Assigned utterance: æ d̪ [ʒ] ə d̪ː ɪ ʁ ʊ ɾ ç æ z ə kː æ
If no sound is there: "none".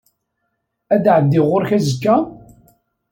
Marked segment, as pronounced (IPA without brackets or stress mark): ʕ